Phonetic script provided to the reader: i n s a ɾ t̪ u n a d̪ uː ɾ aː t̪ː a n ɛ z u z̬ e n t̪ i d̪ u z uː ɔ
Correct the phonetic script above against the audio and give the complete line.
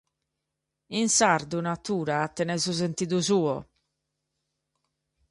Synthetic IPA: i n s a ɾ d̪ u n a t̪ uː ɾ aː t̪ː ɛ n ɛ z u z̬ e n t̪ i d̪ u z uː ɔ